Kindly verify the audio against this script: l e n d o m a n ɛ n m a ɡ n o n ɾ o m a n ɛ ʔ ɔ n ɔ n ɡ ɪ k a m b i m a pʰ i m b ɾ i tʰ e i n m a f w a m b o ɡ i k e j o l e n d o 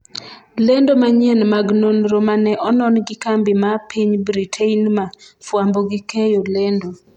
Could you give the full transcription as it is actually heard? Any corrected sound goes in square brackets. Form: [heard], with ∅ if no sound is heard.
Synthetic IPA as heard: l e n d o m a [ɲ] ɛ n m a ɡ n o n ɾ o m a n ɛ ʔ ɔ n ɔ n ɡ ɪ k a m b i m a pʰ i [ɲ] b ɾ i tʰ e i n m a f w a m b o ɡ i k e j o l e n d o

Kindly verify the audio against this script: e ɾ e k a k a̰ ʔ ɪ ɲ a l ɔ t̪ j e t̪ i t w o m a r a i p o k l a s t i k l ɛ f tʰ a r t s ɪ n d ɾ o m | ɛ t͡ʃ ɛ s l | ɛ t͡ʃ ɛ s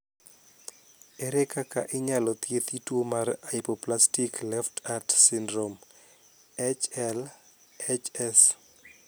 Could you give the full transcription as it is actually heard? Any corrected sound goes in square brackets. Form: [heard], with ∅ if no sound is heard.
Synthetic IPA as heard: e ɾ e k a k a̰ ʔ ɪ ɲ a l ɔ t̪ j e t̪ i t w o m a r a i p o [p] l a s t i k l ɛ f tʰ a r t s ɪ n d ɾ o m | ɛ t͡ʃ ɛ [∅] l | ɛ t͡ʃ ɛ s

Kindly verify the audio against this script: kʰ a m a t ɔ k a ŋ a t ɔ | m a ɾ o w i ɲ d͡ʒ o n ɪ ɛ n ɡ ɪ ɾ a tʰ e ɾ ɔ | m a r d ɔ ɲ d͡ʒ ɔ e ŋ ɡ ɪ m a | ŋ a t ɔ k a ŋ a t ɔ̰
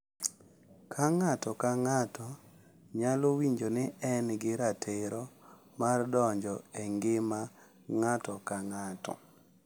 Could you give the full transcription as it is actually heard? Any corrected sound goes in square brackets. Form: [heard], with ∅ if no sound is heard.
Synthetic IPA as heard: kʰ a [ŋ] a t ɔ k a ŋ a t ɔ | [ɲ] a [l] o w i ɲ d͡ʒ o n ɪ ɛ n ɡ ɪ ɾ a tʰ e ɾ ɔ | m a r d ɔ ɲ d͡ʒ ɔ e ŋ ɡ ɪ m a | ŋ a t ɔ k a ŋ a t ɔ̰

